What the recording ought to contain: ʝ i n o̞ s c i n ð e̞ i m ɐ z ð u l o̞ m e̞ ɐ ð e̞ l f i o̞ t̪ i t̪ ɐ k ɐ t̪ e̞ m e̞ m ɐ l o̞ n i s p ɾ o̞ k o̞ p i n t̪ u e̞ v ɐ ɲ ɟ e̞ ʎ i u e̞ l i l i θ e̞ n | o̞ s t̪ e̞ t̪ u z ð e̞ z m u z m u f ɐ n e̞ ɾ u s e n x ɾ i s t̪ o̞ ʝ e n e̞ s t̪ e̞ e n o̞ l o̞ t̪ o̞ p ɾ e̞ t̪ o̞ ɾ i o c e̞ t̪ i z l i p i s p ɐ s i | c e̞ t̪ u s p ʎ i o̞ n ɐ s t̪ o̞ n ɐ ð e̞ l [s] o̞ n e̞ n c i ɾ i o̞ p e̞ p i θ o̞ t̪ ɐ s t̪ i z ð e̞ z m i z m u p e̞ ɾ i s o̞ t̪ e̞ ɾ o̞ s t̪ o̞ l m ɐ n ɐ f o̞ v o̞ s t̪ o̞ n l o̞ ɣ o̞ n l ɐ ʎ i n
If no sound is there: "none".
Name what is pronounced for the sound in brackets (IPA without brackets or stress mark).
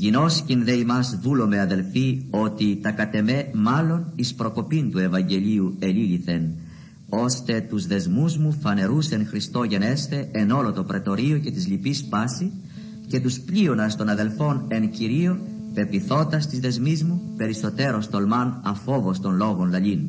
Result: f